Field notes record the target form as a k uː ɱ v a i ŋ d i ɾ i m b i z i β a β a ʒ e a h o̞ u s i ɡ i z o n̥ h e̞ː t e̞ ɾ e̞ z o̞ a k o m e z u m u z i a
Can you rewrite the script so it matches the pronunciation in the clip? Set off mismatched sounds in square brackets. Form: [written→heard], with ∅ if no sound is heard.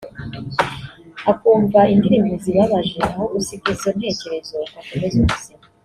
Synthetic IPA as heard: a k uː ɱ v a i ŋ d i ɾ i m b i z i β a β a ʒ e a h o̞ u s i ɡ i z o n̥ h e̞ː [t→c] e̞ ɾ e̞ z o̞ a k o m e z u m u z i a